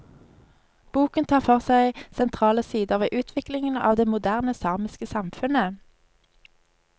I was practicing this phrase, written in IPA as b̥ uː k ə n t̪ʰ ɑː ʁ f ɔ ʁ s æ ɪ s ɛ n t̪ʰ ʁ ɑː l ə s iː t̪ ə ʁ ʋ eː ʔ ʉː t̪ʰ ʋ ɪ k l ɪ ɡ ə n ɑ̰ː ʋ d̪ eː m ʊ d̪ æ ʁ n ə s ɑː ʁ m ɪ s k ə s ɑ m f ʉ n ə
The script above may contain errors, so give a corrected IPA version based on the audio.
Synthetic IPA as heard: b̥ uː k ə n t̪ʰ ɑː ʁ f ɔ ʁ s æ ɪ s ɛ n t̪ʰ ʁ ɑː l ə s iː d̪ ə ʁ ʋ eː ʔ ʉː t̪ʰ ʋ ɪ k l ɪ ŋ ə n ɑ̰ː ʋ d̪ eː m ʊ d̪ æ ʁ n ə s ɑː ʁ m ɪ s k ə s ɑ m f ʉ n ə